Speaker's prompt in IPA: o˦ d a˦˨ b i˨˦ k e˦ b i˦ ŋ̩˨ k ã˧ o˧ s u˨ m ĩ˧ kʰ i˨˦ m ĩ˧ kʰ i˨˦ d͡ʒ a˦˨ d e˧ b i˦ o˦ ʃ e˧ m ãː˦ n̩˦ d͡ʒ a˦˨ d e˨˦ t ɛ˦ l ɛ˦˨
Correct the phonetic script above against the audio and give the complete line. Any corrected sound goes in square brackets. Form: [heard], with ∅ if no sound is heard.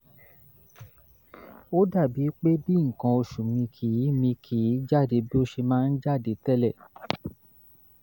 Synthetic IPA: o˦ d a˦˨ b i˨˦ [k͡p] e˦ b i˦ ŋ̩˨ k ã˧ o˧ [ʃ] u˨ m ĩ˧ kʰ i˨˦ m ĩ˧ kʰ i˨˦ d͡ʒ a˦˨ d e˧ b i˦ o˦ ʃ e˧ m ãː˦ n̩˦ d͡ʒ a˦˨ d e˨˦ t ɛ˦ l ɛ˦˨